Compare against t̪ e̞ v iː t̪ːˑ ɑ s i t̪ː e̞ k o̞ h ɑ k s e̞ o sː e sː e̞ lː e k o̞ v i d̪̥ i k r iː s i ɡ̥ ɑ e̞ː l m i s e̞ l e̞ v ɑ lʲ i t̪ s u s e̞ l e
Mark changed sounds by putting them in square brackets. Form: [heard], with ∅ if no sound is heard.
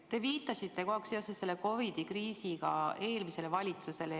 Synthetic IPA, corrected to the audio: t̪ e̞ v iː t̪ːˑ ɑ s i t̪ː e̞ k o̞ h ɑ k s e̞ o [s] e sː e̞ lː e k o̞ v i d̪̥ i k r iː s i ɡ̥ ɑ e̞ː l m i s e̞ l e̞ v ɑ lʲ i t̪ s u s e̞ l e